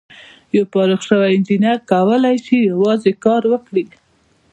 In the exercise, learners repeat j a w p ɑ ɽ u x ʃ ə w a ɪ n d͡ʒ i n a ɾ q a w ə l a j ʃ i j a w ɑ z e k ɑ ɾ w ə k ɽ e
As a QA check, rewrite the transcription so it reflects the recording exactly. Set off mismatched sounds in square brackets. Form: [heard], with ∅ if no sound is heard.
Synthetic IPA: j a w p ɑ [ɾ] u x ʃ ə w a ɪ n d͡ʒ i n a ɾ [k] a w ə l a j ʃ i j a w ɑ z e k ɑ ɾ w ə k ɽ [i]